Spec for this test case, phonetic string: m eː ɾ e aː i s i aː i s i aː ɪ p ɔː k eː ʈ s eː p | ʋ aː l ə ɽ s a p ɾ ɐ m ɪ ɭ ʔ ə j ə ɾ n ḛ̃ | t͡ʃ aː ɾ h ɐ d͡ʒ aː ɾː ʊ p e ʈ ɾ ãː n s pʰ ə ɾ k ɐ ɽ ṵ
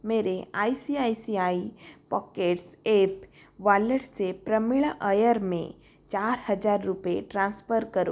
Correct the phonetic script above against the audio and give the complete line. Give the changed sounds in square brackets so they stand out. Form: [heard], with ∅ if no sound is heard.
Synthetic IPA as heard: m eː ɾ e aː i s i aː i s i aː [i] p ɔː k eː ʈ s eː p | ʋ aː l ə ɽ s [e] p ɾ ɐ m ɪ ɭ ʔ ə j ə ɾ [m] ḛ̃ | t͡ʃ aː ɾ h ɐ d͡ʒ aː ɾː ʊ p e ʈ ɾ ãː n s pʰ ə ɾ k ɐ [ɾ] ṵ